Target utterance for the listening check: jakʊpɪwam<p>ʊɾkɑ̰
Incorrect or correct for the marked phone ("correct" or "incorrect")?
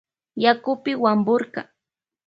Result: incorrect